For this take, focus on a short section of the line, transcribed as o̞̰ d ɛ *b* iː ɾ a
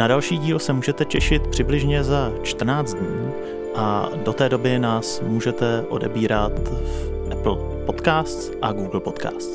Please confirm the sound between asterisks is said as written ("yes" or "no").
yes